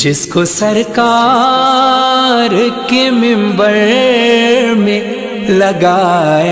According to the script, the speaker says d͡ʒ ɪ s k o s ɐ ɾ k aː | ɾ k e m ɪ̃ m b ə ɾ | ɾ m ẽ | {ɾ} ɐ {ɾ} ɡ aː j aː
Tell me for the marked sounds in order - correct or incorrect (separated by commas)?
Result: incorrect, incorrect